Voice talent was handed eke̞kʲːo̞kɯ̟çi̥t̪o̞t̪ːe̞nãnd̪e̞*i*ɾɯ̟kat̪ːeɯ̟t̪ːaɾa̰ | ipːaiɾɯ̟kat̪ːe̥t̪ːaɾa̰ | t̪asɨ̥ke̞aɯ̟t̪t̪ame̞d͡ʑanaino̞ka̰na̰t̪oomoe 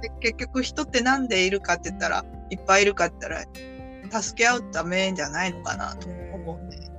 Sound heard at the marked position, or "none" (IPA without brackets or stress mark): i